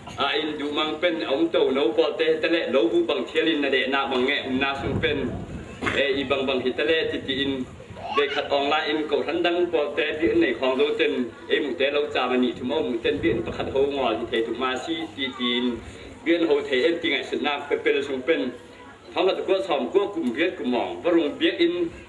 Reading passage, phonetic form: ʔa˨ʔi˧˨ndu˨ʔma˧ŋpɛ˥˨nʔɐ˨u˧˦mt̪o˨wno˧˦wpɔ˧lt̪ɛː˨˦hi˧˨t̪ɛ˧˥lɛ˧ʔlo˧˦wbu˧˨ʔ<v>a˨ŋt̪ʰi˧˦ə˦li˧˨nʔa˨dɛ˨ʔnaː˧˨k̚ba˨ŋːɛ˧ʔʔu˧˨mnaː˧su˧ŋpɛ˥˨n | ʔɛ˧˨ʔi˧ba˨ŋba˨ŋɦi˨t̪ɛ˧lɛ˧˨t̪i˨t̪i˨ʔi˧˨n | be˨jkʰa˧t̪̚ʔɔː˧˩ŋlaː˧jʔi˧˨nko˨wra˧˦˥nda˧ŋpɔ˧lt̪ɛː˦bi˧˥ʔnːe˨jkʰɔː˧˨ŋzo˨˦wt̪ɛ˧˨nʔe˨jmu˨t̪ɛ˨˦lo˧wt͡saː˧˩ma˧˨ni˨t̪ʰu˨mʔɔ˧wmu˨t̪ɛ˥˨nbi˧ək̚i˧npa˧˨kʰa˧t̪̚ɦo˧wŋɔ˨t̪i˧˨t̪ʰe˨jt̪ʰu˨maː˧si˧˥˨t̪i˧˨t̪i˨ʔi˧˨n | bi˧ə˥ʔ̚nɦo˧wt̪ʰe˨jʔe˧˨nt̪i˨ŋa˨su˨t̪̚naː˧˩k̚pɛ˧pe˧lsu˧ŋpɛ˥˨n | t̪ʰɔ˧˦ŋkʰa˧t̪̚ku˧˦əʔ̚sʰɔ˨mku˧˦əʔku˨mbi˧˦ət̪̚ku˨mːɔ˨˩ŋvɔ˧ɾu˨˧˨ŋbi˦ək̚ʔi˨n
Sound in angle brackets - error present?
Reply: yes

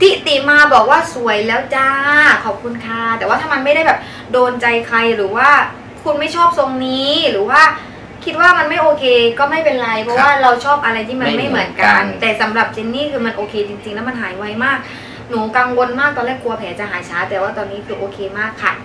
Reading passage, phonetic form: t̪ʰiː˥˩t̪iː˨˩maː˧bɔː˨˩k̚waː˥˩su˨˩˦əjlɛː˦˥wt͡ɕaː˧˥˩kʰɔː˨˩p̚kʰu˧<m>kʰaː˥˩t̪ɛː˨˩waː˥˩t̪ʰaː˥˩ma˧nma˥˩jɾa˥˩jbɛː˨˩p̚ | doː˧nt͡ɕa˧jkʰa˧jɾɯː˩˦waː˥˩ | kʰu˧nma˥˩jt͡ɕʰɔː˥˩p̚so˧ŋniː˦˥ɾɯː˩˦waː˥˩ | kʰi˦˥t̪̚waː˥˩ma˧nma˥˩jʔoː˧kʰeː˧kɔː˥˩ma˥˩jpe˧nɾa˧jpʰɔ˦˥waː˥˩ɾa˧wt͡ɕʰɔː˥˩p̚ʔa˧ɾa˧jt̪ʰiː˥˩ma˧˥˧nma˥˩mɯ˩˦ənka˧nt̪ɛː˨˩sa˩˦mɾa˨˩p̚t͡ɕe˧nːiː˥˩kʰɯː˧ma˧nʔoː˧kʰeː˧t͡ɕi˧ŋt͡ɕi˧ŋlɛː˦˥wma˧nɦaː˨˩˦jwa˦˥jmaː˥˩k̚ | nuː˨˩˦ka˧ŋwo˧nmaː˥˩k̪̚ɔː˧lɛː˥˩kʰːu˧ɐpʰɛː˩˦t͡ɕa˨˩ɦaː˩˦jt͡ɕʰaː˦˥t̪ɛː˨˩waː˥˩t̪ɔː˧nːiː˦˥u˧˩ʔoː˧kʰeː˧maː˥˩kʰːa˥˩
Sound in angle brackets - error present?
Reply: yes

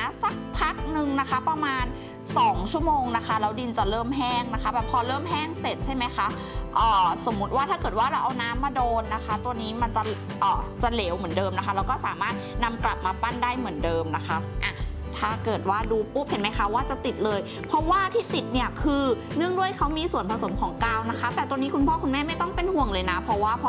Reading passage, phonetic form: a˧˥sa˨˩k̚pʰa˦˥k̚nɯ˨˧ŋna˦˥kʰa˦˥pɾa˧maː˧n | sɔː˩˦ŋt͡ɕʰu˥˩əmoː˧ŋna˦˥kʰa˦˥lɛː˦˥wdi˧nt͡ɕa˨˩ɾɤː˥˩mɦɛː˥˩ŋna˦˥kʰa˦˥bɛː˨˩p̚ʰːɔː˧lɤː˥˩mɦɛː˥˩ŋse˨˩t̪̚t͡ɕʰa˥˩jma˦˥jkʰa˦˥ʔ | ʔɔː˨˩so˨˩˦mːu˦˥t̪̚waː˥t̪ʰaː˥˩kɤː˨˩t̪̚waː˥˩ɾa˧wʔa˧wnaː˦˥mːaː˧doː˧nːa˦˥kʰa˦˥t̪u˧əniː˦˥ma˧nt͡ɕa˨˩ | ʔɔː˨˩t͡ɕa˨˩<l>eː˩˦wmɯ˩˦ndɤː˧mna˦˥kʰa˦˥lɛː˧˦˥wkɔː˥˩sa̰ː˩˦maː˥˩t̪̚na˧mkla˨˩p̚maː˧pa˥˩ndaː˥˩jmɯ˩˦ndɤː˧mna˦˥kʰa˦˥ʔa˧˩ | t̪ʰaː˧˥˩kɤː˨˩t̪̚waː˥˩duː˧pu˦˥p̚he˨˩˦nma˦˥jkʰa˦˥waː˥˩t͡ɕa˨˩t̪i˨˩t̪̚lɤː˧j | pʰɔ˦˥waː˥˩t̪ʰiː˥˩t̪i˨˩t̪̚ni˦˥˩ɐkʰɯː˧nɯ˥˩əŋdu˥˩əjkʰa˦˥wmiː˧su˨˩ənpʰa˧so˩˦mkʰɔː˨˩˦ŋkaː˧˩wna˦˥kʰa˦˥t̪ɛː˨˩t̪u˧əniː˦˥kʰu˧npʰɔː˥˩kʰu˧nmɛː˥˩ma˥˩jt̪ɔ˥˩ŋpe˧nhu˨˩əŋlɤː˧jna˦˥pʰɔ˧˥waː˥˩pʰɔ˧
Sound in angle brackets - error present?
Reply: no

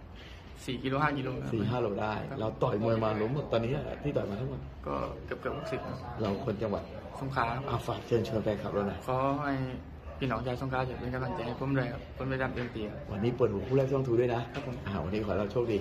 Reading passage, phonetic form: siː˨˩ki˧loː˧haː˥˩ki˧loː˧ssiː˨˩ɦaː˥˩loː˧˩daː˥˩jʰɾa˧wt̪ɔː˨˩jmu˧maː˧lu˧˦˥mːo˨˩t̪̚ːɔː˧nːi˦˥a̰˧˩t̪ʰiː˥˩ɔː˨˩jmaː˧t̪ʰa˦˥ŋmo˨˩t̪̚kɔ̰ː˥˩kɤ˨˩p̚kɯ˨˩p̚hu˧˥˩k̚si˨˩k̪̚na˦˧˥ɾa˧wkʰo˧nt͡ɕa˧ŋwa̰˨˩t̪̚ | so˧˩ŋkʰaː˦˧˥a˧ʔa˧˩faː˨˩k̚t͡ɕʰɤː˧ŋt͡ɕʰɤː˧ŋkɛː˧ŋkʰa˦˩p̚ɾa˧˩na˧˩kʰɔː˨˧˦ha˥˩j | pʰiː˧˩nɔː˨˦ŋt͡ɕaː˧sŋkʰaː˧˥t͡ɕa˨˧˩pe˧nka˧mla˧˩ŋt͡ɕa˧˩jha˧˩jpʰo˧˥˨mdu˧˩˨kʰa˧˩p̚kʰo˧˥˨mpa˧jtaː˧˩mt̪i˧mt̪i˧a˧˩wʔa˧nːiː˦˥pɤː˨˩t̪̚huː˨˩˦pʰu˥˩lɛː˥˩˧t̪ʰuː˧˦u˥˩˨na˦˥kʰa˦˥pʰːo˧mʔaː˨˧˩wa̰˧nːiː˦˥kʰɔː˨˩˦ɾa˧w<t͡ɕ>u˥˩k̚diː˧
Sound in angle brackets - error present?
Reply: yes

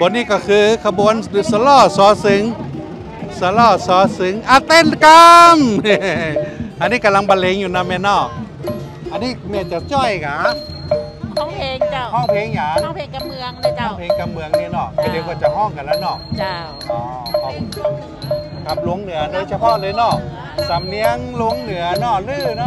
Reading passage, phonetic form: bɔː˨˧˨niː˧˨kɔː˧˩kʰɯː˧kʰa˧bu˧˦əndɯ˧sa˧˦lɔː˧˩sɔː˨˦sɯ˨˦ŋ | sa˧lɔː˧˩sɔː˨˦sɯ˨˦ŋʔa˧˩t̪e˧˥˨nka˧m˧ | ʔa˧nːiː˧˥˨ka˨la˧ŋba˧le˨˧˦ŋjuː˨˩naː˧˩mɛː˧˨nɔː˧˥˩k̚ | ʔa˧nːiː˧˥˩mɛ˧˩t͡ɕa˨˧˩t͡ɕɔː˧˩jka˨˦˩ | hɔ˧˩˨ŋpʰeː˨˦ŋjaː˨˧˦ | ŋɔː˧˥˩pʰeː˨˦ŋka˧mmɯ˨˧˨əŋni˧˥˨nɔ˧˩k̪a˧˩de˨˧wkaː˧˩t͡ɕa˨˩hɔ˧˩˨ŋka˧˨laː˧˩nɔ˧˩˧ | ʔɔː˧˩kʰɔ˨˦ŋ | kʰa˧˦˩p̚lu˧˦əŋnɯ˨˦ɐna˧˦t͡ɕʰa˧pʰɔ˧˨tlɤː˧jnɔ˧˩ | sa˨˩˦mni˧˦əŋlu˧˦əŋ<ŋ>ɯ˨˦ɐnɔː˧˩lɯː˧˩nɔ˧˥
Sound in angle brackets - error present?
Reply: yes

